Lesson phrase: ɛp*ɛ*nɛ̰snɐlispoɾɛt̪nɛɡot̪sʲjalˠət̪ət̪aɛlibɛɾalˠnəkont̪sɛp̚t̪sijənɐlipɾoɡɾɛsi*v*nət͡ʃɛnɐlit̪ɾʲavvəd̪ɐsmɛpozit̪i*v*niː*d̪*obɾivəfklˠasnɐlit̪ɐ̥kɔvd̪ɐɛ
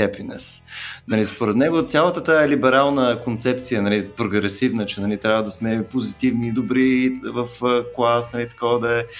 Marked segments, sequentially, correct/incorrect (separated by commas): incorrect, correct, correct, correct